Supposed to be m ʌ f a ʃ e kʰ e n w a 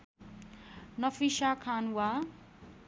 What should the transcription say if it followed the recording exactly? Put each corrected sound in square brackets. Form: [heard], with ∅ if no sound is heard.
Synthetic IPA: [n] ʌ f [i] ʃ [a] kʰ [a] n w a

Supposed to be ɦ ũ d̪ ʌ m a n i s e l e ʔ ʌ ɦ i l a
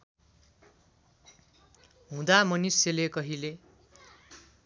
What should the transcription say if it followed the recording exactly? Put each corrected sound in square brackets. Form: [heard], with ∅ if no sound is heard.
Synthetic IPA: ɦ ũ d̪ [a] m [ʌ] n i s e l e [k] ʌ ɦ i l [e]

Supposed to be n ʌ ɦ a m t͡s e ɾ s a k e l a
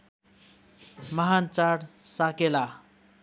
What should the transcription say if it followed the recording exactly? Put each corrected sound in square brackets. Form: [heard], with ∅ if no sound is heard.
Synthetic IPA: [m] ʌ ɦ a [n] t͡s [a] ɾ s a k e l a

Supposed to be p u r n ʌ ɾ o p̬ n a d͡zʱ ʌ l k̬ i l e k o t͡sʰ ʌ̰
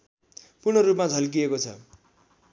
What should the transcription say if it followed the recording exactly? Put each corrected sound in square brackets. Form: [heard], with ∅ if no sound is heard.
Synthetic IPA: p u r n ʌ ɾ [u] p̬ [m] a d͡zʱ ʌ l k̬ i [∅] e k o t͡sʰ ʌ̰

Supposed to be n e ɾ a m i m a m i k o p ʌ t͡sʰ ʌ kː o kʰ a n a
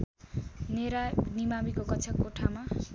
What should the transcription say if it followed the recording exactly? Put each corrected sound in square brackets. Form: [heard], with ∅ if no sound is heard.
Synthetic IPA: n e ɾ a [n] i m a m i k o [k] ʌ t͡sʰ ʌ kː o [ʈʰ] a [m] a

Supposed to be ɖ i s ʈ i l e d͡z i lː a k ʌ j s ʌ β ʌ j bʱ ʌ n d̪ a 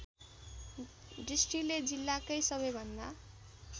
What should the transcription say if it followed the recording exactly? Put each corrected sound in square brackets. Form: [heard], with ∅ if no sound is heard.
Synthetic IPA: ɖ i s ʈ i l e d͡z i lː a k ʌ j s ʌ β ʌ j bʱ ʌ n d̪ a

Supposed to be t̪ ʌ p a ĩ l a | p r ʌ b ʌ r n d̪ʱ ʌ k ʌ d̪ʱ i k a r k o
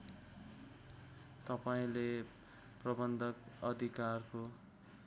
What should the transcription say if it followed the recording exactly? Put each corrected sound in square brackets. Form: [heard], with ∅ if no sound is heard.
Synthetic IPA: t̪ ʌ p a ĩ l [e] | p r ʌ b ʌ [∅] n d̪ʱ ʌ k ʌ d̪ʱ i k a r k o

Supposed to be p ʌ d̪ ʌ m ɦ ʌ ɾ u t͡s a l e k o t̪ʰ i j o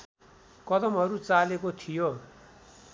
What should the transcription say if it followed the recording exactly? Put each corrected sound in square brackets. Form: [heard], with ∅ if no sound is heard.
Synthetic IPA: [k] ʌ d̪ ʌ m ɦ ʌ ɾ u t͡s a l e k o t̪ʰ i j o

